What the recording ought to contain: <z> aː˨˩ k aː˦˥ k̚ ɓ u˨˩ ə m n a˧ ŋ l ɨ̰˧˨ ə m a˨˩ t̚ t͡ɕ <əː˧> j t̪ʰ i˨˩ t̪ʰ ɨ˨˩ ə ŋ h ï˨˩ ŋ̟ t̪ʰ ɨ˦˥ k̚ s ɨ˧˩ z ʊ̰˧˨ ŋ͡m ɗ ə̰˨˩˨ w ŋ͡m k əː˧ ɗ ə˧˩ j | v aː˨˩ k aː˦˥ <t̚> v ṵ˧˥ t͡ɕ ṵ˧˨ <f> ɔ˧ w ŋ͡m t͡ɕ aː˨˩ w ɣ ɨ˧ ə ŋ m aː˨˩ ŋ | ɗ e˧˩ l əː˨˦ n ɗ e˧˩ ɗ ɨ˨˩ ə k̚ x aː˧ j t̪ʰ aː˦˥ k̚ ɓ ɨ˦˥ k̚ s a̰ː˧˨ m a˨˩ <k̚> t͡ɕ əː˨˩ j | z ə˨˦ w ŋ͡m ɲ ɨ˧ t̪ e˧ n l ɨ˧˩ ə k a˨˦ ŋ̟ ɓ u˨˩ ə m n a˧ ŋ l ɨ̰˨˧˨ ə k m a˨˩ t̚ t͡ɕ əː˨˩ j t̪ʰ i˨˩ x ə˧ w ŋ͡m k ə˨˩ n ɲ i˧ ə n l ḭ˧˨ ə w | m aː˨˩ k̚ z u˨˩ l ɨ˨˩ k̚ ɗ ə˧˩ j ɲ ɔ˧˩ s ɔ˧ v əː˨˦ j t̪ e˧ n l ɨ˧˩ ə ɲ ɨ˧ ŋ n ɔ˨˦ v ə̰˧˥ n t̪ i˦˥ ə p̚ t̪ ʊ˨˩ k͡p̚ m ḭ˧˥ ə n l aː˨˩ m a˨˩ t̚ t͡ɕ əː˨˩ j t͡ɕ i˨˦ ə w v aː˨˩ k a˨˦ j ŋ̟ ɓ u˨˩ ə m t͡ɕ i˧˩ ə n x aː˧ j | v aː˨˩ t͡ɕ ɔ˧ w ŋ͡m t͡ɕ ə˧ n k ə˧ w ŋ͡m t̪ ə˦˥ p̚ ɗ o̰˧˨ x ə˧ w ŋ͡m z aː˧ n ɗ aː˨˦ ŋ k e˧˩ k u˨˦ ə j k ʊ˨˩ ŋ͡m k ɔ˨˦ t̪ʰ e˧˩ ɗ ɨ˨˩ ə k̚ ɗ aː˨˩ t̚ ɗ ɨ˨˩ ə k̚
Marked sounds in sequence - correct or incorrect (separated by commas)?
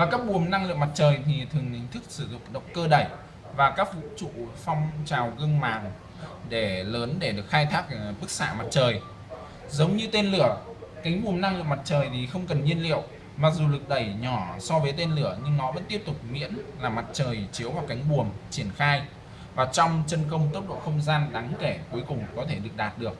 incorrect, incorrect, incorrect, correct, incorrect